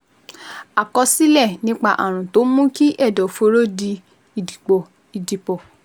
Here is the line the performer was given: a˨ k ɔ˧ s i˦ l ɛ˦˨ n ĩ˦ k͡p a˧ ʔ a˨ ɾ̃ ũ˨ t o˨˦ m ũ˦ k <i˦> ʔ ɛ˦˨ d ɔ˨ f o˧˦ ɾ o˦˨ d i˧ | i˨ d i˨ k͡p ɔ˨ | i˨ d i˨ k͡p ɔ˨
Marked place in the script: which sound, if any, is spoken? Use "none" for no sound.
i˦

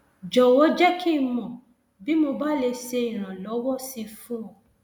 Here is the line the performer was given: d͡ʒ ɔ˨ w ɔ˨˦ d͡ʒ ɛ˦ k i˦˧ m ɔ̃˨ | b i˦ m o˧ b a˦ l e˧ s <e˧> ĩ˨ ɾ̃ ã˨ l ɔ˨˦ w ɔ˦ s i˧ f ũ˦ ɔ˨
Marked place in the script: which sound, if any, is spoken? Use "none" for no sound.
e˧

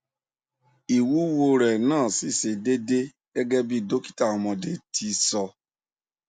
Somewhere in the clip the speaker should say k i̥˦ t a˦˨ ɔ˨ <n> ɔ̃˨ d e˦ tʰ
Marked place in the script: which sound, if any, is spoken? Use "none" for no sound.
m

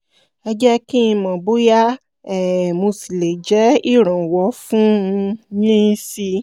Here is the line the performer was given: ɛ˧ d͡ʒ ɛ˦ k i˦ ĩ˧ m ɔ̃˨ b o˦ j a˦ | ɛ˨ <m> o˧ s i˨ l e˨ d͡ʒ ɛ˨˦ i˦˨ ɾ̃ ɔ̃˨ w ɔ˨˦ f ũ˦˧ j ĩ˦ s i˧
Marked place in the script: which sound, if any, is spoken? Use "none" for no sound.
m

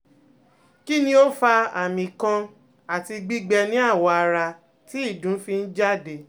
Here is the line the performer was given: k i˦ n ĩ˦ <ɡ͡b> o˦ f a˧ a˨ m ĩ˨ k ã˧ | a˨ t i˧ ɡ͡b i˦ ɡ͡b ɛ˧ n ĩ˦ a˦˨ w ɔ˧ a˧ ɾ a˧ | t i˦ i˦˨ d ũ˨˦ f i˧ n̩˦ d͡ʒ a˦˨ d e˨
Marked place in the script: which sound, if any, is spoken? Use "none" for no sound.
none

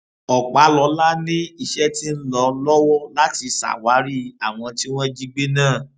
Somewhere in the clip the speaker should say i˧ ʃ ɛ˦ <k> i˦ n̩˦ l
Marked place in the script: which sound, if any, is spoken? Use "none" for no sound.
t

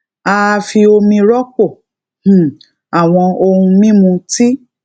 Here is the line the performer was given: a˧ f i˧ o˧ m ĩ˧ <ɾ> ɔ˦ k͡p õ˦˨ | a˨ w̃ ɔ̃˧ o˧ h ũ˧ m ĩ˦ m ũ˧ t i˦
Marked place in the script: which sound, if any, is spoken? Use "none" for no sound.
ɾ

